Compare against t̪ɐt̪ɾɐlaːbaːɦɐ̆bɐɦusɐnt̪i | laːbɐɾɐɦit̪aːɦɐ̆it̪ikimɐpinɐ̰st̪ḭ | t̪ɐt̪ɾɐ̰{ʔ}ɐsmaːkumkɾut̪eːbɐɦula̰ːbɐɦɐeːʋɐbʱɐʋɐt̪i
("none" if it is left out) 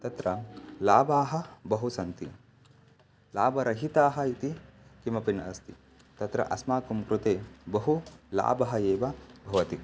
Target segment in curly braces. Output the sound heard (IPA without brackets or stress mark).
ʔ